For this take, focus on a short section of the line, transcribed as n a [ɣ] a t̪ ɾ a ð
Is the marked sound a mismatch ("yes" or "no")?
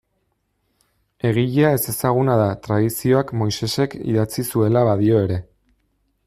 yes